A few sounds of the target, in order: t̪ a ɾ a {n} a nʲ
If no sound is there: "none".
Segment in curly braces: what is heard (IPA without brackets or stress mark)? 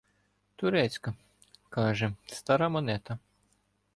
m